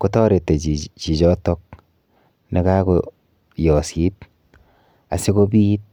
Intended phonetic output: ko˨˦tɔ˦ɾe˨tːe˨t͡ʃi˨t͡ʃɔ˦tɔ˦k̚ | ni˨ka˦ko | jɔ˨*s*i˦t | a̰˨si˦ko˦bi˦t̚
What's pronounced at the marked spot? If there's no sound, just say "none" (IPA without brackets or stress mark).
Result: s